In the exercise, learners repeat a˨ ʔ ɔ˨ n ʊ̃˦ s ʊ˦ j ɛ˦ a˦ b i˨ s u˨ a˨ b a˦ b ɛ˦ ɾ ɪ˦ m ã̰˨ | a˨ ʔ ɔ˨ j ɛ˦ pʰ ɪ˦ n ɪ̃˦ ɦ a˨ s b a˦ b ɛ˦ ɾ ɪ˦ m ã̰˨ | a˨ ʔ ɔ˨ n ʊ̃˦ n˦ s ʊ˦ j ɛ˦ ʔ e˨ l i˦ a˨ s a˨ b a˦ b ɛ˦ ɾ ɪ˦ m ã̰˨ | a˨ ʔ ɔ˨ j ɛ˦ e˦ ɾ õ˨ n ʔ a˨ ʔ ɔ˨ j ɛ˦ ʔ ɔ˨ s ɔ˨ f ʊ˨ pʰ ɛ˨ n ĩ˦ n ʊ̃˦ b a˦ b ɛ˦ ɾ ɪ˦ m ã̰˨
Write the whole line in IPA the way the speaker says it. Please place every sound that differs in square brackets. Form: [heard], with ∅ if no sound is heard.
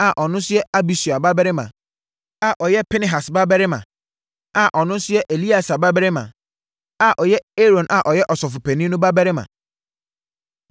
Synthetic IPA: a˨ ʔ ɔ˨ n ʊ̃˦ s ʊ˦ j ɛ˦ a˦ b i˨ s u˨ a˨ b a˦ b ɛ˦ ɾ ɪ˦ m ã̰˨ | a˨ ʔ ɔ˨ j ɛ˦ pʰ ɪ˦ n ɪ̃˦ ɦ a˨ s b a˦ b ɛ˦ ɾ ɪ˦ m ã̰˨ | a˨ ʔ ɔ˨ n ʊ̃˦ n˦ s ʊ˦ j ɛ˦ ʔ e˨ l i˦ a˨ s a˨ b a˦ b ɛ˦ ɾ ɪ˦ m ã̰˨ | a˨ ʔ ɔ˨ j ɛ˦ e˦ ɾ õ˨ n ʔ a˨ ʔ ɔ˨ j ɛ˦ ʔ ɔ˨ s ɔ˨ f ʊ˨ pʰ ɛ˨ n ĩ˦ n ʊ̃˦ b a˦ b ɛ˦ ɾ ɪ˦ m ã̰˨